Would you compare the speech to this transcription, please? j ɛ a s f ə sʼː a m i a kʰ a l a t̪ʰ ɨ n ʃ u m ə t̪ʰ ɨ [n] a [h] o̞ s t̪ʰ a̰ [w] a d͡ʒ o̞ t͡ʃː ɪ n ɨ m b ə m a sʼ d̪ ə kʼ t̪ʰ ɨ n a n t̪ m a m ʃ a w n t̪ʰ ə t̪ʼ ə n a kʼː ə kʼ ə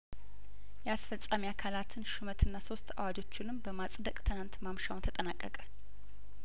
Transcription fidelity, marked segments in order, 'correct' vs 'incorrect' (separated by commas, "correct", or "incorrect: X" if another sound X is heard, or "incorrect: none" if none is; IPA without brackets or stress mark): incorrect: nː, incorrect: s, correct